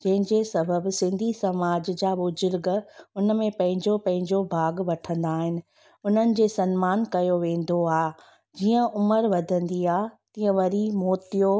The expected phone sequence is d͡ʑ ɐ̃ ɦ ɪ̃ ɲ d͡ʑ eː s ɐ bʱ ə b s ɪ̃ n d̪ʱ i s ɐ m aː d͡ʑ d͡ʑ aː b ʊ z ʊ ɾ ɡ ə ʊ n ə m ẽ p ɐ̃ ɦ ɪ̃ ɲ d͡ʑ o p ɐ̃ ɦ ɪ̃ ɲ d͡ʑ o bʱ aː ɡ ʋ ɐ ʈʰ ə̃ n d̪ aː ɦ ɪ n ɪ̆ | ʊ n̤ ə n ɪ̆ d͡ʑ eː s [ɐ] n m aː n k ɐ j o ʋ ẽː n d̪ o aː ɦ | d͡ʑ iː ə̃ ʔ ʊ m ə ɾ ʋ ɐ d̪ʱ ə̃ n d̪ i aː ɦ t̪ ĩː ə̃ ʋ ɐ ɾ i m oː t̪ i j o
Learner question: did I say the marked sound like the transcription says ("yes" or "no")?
yes